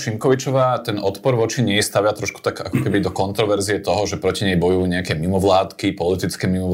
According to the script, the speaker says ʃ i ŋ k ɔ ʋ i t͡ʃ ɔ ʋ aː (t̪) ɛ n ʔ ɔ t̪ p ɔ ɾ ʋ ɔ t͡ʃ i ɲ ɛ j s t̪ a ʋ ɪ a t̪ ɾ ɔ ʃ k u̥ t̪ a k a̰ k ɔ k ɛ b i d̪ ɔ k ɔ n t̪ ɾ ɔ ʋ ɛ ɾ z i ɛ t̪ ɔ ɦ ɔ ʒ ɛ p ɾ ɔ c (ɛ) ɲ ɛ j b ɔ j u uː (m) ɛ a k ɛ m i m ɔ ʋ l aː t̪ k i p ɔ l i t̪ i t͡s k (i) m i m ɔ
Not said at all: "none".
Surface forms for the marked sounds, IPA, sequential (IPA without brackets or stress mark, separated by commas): t̪, i, ɲ, ɛ